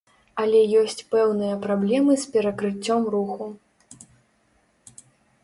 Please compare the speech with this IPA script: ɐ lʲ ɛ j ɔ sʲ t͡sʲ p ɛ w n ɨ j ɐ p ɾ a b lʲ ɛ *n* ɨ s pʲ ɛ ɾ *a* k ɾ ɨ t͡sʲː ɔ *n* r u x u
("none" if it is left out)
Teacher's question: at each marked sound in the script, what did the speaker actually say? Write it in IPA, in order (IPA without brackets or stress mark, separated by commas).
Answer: m, ɐ, m